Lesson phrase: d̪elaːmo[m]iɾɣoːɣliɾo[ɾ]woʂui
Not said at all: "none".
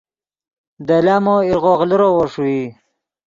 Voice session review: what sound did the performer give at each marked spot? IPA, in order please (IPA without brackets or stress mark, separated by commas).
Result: none, none